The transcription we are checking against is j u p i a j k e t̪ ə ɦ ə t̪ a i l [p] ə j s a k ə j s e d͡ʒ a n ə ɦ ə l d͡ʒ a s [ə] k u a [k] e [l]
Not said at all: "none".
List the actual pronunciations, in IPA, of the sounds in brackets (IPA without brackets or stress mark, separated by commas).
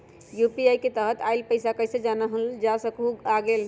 p, ə, ɡ, l